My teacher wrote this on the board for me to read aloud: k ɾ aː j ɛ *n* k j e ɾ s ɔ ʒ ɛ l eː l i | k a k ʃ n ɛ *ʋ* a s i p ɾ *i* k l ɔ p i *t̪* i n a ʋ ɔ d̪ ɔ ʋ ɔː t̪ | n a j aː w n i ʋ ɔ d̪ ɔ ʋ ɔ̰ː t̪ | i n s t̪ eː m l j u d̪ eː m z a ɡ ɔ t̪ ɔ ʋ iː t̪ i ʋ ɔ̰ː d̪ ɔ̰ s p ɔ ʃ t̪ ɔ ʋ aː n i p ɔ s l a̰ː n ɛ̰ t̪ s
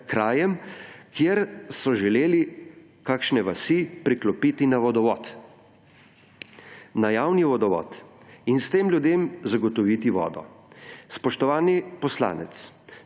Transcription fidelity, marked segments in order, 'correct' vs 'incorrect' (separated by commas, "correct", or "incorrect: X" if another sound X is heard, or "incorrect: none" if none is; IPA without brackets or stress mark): incorrect: m, correct, correct, correct